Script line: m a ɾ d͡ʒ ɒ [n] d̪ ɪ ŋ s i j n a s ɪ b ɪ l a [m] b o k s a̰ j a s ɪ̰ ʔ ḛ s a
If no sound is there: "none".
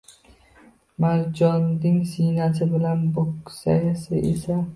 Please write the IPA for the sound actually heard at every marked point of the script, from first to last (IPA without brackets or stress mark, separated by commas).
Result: n, n